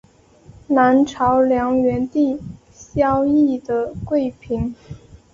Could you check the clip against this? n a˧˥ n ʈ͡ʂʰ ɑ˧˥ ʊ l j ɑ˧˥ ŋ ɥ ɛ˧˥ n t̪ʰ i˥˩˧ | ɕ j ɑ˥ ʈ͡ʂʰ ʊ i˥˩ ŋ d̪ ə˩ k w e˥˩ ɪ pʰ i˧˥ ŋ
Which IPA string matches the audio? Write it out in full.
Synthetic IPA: n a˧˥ n ʈ͡ʂʰ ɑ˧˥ ʊ l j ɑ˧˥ ŋ ɥ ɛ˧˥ n t̪ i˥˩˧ | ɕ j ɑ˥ ʊ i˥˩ d̪ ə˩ k w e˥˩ ɪ pʰ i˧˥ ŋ

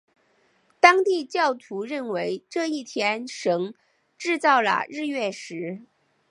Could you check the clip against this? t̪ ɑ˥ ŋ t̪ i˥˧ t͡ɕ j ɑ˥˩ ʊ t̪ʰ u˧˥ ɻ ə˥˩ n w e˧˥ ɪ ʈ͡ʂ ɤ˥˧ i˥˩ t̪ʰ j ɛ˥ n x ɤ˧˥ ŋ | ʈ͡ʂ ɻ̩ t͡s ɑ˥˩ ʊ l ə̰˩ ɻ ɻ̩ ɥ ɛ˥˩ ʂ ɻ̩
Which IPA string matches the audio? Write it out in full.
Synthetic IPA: t̪ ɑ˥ ŋ t̪ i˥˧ t͡ɕ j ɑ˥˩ ʊ t̪ʰ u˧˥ ɻ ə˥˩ n w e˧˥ ɪ ʈ͡ʂ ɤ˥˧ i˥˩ t̪ʰ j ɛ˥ n ʂ ɤ˧˥ ŋ | ʈ͡ʂ ɻ̩ t͡s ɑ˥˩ ʊ l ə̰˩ ɻ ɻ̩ ɥ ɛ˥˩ ʂ ɻ̩

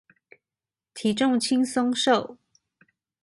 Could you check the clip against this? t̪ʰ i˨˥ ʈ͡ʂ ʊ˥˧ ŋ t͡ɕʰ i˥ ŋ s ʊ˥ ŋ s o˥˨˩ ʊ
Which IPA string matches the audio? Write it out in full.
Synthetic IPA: t̪ʰ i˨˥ ʈ͡ʂ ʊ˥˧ ŋ t͡ɕʰ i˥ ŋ s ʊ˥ ŋ ʂ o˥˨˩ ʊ

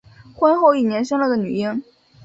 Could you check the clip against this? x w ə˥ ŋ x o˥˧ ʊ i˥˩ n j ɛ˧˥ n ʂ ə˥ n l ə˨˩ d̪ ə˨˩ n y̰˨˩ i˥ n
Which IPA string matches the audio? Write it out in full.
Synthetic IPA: x w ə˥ n x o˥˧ ʊ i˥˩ n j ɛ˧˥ n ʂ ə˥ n l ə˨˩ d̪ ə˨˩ n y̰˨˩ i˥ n

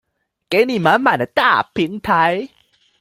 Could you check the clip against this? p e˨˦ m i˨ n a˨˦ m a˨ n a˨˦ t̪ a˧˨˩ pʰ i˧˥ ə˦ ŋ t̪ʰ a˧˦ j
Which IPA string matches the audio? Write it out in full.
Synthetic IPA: k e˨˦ n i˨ m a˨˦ m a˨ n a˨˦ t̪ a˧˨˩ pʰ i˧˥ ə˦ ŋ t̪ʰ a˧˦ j

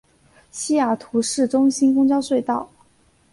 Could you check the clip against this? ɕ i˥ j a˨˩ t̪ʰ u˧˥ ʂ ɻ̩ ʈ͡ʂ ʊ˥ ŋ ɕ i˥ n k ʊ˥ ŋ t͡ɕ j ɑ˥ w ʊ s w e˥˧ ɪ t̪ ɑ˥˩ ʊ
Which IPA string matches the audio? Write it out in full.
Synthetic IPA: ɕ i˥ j a˨˩ t̪ʰ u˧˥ ʂ ɻ̩ ʈ͡ʂ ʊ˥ ŋ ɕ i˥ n k ʊ˥ ŋ t͡ɕ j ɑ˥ ʊ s w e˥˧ ɪ t̪ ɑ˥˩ ʊ

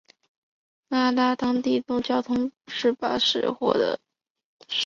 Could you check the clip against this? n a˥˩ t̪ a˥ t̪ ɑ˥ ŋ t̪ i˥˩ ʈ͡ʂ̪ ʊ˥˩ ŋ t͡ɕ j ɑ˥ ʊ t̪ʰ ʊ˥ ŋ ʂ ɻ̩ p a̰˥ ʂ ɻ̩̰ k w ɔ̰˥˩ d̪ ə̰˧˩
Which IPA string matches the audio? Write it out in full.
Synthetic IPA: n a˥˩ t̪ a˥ t̪ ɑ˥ ŋ t̪ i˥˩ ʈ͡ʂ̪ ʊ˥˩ ŋ t͡ɕ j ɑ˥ ʊ t̪ʰ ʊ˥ ŋ ʂ ɻ̩ p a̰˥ ʂ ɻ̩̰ x w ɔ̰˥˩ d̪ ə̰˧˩

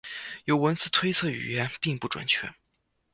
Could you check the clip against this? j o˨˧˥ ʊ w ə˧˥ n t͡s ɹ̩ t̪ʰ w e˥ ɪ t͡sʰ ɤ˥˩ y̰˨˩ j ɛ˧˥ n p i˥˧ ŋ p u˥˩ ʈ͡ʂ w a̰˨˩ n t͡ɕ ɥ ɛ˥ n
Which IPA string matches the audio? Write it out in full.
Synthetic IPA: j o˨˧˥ ʊ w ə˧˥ n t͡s ɹ̩ t̪ʰ w e˥ ɪ t͡sʰ ɤ˥˩ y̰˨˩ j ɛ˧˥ n p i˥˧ ŋ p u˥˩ ʈ͡ʂ w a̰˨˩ n t͡ɕʰ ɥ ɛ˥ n

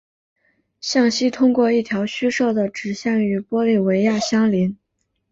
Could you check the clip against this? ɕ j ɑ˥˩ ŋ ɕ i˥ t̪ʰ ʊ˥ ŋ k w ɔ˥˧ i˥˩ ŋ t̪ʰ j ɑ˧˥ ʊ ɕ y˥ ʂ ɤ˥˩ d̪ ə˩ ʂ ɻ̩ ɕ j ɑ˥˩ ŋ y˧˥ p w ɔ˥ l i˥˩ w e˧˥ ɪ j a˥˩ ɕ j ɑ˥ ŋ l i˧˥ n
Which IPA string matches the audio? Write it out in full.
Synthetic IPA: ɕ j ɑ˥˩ ŋ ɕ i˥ t̪ʰ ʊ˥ ŋ k w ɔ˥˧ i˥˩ t̪ʰ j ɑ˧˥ ʊ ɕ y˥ ʂ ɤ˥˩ d̪ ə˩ ʈ͡ʂ ɻ̩ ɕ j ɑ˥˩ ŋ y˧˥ p w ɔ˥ l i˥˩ w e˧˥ ɪ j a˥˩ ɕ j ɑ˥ ŋ l i˧˥ n

